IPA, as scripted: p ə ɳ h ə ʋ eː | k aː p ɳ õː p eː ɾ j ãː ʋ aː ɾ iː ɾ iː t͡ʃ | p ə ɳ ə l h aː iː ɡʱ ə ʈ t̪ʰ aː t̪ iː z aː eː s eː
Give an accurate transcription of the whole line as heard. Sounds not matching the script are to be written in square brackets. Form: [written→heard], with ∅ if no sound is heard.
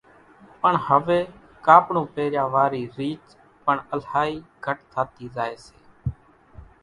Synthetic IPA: p ə ɳ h ə ʋ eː | k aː p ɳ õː p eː ɾ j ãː ʋ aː ɾ iː ɾ iː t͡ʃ | p ə ɳ ə l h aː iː ɡʱ ə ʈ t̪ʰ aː t̪ iː z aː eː s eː